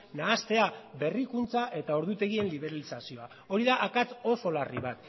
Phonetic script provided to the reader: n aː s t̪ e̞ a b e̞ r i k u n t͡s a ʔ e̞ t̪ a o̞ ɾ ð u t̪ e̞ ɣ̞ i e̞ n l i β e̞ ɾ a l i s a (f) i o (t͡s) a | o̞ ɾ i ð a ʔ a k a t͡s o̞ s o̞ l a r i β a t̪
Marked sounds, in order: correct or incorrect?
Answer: incorrect: s, incorrect: none

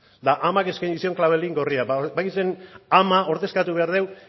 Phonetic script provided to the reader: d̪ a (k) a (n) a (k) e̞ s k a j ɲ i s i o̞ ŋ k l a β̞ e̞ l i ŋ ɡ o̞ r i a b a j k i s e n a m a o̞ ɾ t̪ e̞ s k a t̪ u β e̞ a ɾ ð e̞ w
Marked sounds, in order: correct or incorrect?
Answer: incorrect: ʔ, incorrect: m, correct

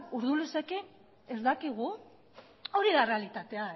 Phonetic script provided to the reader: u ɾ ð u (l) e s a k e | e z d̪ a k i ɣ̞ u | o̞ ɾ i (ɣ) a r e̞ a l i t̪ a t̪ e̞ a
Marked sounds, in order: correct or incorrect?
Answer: correct, incorrect: ð

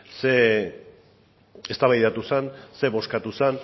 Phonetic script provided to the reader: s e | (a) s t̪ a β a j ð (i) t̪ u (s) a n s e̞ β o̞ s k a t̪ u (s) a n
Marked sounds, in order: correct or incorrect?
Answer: incorrect: e, incorrect: a, correct, correct

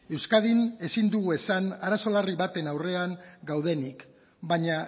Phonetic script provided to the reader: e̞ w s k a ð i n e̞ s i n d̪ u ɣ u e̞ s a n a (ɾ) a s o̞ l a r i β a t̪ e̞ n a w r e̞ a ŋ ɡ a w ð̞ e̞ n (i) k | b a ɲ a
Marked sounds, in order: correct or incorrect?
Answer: correct, correct

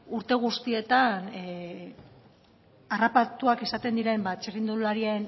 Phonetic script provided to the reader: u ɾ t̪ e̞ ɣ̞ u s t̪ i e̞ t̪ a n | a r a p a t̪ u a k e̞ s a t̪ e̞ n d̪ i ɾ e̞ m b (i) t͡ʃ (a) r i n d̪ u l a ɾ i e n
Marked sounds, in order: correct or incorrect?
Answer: incorrect: a, incorrect: e

